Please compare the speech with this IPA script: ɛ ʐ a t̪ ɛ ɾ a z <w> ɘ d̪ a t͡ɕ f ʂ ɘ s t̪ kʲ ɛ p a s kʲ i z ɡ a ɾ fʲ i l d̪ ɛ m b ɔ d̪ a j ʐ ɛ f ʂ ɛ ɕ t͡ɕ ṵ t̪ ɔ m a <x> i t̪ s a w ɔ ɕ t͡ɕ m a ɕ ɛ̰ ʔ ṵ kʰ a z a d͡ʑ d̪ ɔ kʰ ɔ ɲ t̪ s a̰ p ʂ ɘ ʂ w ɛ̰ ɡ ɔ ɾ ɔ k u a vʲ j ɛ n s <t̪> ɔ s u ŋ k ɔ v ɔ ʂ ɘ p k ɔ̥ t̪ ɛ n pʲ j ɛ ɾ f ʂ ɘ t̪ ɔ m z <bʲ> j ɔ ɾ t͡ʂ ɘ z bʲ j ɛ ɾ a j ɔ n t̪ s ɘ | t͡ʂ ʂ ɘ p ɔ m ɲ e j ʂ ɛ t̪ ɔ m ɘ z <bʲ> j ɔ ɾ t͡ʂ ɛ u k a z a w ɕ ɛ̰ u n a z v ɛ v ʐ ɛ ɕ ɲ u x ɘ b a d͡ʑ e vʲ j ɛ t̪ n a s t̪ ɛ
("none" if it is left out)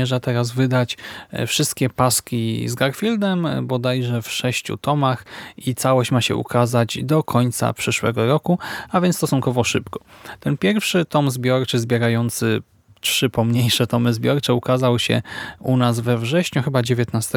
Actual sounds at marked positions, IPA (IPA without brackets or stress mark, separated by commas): v, x, t̪, bʲ, bʲ